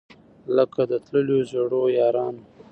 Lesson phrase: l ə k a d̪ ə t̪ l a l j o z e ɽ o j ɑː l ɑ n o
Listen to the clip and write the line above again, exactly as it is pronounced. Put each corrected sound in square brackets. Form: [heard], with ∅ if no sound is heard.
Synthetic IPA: l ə k a d̪ ə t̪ l [ə] l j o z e ɽ o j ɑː [ɾ] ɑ n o